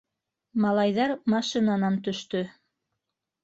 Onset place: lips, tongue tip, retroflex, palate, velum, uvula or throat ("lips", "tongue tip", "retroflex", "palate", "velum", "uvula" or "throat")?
lips